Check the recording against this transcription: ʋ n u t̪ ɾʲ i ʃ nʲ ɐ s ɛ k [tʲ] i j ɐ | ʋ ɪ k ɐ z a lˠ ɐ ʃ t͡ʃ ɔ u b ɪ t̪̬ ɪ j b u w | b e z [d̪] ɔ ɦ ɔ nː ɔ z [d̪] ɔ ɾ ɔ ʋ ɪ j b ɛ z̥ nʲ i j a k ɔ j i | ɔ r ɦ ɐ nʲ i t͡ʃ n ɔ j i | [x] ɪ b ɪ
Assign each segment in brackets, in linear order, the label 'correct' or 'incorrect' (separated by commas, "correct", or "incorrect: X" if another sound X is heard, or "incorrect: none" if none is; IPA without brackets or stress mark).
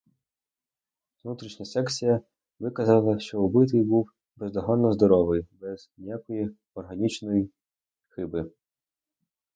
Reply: incorrect: sʲ, correct, correct, correct